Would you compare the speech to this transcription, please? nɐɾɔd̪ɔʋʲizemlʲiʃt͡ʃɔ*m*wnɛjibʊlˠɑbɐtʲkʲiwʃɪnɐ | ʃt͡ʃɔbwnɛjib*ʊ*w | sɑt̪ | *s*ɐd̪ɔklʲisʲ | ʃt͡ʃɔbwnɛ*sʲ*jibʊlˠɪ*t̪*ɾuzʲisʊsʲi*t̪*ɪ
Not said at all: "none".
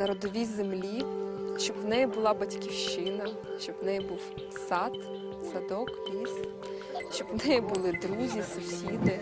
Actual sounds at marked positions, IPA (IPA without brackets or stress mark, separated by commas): b, u, s, none, d̪, d̪